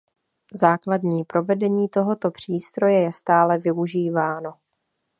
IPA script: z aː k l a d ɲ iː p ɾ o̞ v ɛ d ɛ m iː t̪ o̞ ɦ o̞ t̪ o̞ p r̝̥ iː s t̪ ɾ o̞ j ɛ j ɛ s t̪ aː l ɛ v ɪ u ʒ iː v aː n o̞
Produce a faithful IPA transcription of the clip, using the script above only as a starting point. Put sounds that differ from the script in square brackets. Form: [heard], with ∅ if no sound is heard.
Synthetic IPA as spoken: z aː k l a d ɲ iː p ɾ o̞ v ɛ d ɛ [ɲ] iː t̪ o̞ ɦ o̞ t̪ o̞ p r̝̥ iː s t̪ ɾ o̞ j ɛ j ɛ s t̪ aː l ɛ v ɪ u ʒ iː v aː n o̞